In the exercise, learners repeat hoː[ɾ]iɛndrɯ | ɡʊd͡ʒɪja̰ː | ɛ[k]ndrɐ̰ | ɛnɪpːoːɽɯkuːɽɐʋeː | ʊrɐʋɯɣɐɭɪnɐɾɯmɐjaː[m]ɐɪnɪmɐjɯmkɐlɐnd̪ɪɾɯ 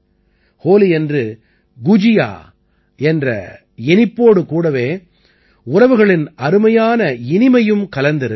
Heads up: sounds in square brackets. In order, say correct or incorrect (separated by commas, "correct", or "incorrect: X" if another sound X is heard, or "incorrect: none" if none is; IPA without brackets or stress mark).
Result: incorrect: l, incorrect: none, incorrect: n